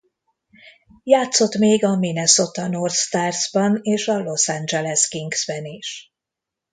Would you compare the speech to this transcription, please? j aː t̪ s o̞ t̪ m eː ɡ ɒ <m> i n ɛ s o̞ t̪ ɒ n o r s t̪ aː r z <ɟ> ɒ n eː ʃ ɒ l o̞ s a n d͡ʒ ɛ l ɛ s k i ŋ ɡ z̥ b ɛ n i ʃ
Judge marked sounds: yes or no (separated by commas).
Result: yes, no